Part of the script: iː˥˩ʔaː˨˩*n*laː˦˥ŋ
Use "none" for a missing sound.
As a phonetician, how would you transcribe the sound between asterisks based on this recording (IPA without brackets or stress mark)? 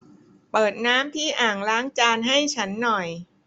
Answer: ŋ